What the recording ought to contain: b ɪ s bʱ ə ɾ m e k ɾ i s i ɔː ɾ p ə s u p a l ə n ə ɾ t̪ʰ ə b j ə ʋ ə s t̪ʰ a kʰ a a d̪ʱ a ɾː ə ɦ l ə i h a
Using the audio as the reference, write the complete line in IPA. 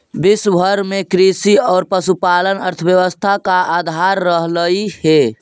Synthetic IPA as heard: b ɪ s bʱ ə ɾ m e k ɾ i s i ɔː ɾ p ə s u p a l ə n ə ɾ t̪ʰ ə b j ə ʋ ə s t̪ʰ a k a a d̪ʱ a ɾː ə ɦ l ə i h e